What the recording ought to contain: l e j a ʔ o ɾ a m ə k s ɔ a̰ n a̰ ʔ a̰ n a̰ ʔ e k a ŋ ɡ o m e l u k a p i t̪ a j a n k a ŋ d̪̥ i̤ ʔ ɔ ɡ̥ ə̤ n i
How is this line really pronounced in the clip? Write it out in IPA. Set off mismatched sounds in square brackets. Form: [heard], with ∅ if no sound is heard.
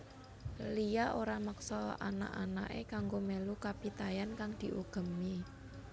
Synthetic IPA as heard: l [i] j a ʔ o ɾ a m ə k s ɔ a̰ n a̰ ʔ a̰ n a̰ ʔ e k a ŋ ɡ o m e l u k a p i t̪ a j a n k a ŋ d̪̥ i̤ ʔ [u] ɡ̥ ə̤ [m] i